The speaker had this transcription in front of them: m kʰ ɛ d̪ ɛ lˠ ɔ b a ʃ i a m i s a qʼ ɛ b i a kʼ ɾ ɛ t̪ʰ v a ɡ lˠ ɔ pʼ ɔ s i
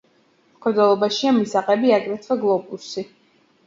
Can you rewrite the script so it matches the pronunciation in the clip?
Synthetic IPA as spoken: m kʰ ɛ d̪ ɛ lˠ ɔ b a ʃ i a m i s a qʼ ɛ b i a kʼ ɾ ɛ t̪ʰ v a ɡ lˠ ɔ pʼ u s i